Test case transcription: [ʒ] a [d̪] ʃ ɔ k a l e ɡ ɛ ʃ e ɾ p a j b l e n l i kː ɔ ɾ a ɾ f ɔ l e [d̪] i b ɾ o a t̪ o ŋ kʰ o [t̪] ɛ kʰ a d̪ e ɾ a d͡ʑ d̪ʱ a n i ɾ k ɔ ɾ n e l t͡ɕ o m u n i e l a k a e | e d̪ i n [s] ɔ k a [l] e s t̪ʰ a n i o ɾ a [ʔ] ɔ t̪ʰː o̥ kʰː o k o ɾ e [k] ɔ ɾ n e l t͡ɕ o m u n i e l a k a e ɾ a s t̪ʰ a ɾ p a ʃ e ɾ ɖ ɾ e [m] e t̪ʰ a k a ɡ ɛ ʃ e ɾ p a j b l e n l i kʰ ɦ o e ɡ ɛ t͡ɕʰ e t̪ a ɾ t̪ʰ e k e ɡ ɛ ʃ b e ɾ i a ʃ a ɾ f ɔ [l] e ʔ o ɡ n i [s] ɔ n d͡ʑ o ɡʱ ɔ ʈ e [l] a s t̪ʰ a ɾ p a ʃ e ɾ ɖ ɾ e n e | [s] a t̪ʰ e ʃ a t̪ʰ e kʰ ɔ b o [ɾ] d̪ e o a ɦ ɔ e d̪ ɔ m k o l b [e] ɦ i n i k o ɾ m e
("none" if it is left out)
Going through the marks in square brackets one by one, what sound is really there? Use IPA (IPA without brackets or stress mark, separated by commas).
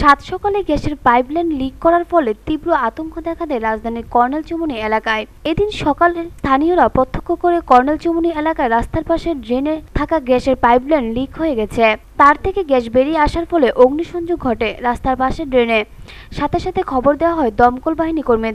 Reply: ʃ, t̪, t̪, d̪, ʃ, l, p, k, n, l, ʃ, ɾ, ʃ, ɾ, a